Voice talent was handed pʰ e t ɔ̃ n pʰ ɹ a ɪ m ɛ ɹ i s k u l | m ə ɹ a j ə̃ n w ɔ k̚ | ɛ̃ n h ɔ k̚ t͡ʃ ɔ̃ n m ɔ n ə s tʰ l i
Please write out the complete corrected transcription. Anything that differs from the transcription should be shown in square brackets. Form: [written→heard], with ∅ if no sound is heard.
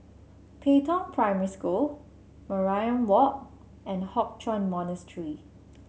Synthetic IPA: pʰ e t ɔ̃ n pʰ ɹ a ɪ m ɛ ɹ i s k u l | m ə ɹ a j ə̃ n w ɔ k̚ | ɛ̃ n h ɔ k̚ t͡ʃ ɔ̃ n m ɔ n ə s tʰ [l→ɹ] i